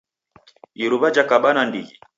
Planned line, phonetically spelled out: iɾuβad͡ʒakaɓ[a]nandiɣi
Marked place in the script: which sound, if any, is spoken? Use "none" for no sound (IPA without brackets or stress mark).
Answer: a